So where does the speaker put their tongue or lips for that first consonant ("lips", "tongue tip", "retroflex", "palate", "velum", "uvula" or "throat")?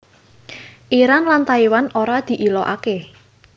throat